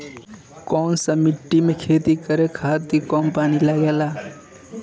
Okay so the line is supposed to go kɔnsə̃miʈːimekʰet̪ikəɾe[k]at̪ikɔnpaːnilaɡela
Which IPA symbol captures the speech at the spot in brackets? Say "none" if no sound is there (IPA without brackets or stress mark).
kʰ